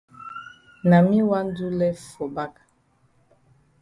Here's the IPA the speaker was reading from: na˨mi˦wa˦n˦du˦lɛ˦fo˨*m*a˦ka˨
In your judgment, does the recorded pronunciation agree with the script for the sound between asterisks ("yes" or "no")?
no